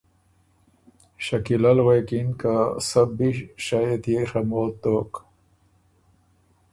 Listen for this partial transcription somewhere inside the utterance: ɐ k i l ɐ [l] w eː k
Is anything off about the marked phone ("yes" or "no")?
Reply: no